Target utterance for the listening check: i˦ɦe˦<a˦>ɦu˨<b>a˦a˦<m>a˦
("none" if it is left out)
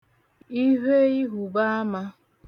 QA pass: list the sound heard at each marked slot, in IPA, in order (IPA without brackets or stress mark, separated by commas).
i˦, b, m